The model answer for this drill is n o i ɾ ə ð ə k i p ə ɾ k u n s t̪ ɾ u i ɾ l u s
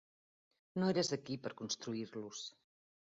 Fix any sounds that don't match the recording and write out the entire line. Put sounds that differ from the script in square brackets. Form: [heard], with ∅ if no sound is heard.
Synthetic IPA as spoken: n o [e] ɾ ə [z] ə k i p ə ɾ k u n s t̪ ɾ u i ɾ l u s